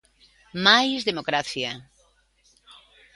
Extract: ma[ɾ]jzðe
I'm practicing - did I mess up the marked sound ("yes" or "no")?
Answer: yes